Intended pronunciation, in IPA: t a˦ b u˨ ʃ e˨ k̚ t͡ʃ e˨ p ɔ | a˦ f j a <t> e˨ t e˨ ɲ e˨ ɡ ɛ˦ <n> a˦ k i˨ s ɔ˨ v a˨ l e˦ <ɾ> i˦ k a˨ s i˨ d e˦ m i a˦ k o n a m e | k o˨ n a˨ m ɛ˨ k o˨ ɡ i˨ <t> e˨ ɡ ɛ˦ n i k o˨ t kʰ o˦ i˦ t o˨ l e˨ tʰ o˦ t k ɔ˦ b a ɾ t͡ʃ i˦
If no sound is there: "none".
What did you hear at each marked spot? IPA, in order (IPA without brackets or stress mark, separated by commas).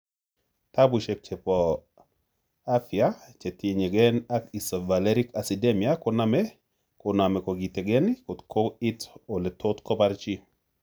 t͡ʃ, n, ɾ, t